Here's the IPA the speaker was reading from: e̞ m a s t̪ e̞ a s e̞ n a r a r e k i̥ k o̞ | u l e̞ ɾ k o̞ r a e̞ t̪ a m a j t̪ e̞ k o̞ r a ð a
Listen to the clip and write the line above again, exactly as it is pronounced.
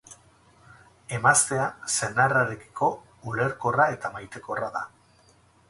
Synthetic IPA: e̞ m a s t̪ e̞ a s e̞ n a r a ɾ e k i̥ k o̞ | u l e̞ ɾ k o̞ r a e̞ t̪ a m a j t̪ e̞ k o̞ r a ð a